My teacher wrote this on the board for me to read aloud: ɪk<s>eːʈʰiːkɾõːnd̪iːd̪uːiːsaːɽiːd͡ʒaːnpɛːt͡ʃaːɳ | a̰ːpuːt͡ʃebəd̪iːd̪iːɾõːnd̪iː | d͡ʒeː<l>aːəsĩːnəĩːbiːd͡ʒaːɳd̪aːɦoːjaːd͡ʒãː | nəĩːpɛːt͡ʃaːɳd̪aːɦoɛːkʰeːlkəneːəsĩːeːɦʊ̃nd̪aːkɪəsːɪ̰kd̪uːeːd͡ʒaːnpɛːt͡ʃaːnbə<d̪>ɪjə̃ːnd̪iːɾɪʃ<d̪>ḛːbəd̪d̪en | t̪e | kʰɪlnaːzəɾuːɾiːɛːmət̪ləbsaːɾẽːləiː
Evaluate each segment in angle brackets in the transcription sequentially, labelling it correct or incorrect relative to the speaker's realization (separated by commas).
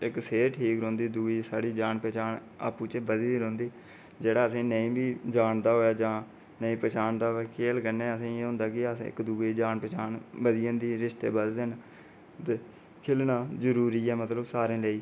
correct, incorrect, correct, incorrect